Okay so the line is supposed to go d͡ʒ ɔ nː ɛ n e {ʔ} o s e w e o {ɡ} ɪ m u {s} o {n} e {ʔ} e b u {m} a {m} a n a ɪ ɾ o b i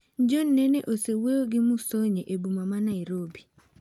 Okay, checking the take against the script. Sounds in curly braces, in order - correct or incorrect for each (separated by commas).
correct, correct, correct, incorrect, correct, correct, correct